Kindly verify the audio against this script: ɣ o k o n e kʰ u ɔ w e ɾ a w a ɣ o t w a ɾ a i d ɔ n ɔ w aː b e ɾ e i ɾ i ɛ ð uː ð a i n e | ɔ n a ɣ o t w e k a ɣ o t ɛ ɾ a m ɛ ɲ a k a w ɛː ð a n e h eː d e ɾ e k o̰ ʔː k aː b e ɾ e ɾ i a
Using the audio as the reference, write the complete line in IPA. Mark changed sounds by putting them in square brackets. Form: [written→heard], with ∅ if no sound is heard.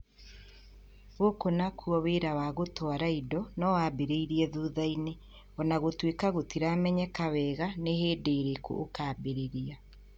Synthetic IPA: ɣ o k o n [e→a] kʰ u ɔ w e ɾ a w a ɣ o t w a ɾ a i d ɔ n ɔ w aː b e ɾ e i ɾ i ɛ ð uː ð a i n e | ɔ n a ɣ o t w e k a ɣ o t [ɛ→i] ɾ a m ɛ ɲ [a→ɛ] k a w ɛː [ð→ɣ] a n e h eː d e ɾ e k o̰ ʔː k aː b e ɾ e ɾ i a